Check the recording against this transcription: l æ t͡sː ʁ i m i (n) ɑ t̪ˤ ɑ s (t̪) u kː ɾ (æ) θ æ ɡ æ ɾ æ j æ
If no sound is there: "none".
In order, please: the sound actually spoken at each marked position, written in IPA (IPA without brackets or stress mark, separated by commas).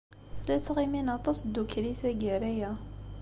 n, d̪, i